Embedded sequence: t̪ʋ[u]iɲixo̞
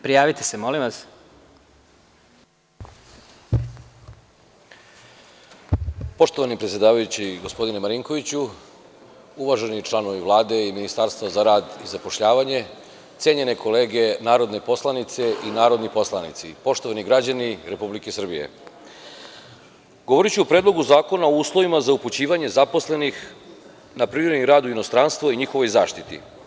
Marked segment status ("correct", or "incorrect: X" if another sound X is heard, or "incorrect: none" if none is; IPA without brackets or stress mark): incorrect: o